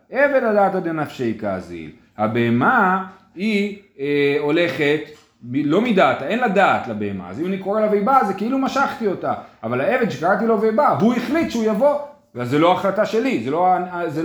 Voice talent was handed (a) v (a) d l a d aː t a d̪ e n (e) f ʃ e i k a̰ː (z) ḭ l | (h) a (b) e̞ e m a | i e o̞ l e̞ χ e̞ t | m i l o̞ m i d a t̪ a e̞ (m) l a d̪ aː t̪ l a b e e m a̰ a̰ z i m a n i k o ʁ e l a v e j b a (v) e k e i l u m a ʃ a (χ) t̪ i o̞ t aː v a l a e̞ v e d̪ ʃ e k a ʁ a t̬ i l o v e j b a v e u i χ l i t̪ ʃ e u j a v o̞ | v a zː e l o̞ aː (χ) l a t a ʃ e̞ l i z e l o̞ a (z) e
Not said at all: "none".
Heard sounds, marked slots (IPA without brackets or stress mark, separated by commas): e, e, a, z, h, b, n, z, χ, χ, z